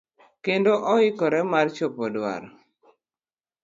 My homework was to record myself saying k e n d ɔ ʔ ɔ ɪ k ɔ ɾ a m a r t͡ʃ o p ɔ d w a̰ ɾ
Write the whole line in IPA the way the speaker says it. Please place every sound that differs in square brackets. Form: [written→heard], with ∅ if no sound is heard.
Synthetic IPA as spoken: k e n d [ɔ→o] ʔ ɔ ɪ k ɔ ɾ [a→ɛ] m a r t͡ʃ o p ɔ d w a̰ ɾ